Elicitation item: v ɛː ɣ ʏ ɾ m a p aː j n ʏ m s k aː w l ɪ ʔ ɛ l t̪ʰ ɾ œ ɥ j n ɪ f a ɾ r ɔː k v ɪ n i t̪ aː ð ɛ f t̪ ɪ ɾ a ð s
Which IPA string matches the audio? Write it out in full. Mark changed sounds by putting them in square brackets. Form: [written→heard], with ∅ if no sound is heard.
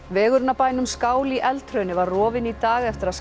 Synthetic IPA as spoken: v ɛː ɣ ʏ ɾ [m→n] a p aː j n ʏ m s k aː w l [ɪ→i] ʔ ɛ l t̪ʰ ɾ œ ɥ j n ɪ [f→v] a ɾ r ɔː [k→∅] v ɪ n i t̪ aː [ð→ɣ] ɛ f t̪ ɪ ɾ a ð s